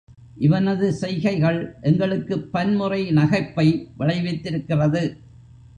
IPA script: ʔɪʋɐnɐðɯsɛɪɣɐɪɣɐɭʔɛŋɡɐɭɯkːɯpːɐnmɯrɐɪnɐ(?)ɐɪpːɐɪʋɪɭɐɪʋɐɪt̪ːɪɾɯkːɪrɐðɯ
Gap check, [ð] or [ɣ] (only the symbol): ɣ